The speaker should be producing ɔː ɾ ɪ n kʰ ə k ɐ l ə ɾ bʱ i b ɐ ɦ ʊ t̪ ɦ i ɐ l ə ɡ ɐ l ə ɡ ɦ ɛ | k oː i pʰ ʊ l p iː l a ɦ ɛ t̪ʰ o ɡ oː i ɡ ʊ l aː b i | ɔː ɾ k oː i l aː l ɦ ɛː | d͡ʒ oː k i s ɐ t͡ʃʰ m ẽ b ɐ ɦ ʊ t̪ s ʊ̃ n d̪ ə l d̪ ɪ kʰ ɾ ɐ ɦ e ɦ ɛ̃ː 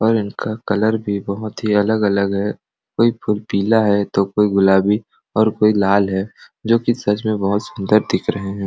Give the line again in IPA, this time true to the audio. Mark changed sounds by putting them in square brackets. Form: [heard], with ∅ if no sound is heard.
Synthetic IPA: ɔː ɾ ɪ n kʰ [a] k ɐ l ə ɾ bʱ i b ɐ ɦ ʊ t̪ ɦ i ɐ l ə ɡ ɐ l ə ɡ ɦ ɛ | k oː i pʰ ʊ l p iː l a ɦ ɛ [t̪] o [k] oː i ɡ ʊ l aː b i | ɔː ɾ k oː i l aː l ɦ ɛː | d͡ʒ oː k i s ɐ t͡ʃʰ m ẽ b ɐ ɦ ʊ t̪ s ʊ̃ n d̪ ə [ɾ] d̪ ɪ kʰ ɾ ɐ ɦ e ɦ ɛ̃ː